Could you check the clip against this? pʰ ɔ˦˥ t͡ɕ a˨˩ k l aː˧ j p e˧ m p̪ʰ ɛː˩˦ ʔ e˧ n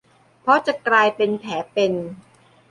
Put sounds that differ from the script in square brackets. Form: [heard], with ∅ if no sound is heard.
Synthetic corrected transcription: pʰ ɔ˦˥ t͡ɕ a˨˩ k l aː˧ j p e˧ [n] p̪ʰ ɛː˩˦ [p] e˧ n